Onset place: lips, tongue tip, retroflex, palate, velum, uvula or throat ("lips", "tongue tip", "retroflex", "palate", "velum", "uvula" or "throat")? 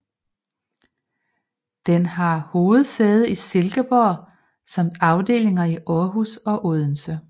tongue tip